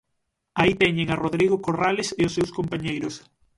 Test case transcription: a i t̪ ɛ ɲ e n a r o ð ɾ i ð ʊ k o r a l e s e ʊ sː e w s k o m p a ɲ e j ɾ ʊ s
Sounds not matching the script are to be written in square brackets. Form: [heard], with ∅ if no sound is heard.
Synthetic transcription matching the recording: a i t̪ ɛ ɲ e [ŋ] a r o ð ɾ i [ɣ] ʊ k o r a l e s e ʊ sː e w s k o m p a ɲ e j ɾ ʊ s